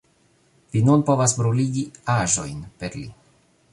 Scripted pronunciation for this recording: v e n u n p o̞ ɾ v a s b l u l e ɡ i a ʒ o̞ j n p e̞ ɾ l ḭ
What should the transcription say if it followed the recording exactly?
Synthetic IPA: v i n u n p o̞ v a s b ɾ u l i ɡ i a ʒ o̞ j n p e̞ ɾ l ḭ